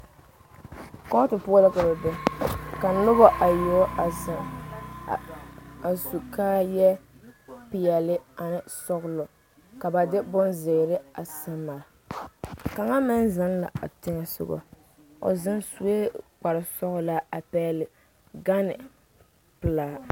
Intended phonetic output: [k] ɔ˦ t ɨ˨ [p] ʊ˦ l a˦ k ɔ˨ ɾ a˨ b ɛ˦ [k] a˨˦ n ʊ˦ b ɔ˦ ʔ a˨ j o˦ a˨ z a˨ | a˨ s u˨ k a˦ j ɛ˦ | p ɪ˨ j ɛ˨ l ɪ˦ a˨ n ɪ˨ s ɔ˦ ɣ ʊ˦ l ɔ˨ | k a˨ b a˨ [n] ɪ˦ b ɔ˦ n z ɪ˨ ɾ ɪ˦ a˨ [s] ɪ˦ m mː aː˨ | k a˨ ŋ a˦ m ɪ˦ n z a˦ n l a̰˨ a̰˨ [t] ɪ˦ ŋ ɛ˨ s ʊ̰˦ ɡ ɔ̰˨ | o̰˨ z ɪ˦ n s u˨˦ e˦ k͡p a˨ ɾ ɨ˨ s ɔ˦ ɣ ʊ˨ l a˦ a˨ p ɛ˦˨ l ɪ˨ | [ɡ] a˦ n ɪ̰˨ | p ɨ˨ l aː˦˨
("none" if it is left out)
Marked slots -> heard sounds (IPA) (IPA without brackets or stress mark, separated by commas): k, p, k, d, s, t, ɡ